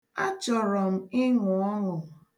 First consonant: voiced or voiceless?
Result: voiceless